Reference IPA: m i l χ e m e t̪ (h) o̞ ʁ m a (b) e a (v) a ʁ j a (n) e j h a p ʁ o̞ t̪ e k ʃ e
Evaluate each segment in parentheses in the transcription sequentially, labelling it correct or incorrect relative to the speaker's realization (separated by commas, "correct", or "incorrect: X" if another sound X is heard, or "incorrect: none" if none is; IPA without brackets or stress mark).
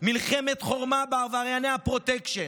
incorrect: χ, correct, correct, correct